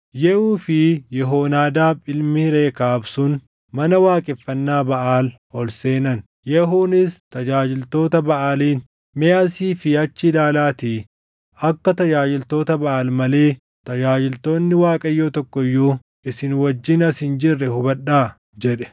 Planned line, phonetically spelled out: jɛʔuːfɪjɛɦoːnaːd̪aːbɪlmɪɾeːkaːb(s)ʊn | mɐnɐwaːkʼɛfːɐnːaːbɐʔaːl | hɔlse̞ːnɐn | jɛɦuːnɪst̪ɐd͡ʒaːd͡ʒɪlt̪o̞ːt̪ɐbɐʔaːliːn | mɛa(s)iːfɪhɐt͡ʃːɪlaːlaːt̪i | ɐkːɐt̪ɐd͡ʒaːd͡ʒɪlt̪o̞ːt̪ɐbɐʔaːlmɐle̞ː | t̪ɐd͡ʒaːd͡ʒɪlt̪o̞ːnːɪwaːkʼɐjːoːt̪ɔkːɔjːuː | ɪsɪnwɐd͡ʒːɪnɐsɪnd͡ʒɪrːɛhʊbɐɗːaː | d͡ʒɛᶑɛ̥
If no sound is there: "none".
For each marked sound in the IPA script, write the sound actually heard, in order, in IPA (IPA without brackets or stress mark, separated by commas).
s, s